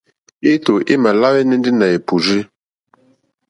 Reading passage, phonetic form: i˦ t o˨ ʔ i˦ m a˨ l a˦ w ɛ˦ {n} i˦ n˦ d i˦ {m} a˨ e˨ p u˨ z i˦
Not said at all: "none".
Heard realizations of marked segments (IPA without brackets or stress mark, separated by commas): n, n